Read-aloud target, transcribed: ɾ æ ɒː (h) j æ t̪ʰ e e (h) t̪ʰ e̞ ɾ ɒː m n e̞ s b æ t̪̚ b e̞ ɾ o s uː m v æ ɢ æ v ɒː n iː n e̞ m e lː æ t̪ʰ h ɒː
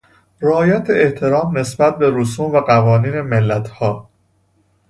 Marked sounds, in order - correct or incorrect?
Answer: incorrect: none, correct

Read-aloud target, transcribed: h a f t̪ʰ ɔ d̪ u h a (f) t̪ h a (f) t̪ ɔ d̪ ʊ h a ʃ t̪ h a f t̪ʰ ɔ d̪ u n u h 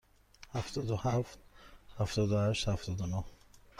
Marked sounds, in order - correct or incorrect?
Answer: correct, correct

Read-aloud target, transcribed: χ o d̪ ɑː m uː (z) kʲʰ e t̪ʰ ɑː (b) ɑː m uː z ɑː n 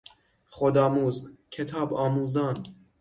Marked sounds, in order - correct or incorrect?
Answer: correct, correct

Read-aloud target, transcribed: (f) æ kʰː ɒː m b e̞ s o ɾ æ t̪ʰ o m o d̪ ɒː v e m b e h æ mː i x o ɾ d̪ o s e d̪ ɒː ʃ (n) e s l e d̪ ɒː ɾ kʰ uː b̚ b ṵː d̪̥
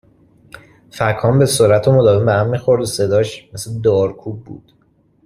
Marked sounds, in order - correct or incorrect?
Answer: correct, incorrect: m

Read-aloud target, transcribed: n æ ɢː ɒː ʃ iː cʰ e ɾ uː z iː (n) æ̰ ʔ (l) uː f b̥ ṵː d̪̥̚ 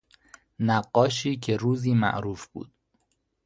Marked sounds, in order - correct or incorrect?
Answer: incorrect: m, incorrect: ɾ

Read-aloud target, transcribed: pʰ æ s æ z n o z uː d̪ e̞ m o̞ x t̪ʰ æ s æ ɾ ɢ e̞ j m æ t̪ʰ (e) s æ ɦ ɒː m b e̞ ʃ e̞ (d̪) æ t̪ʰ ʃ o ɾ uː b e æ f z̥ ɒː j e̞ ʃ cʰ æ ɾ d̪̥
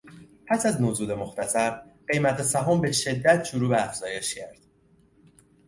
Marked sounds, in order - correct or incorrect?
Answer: correct, incorrect: d̪ː

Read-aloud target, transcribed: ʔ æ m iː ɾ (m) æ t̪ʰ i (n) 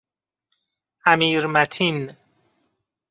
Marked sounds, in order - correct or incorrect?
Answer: correct, correct

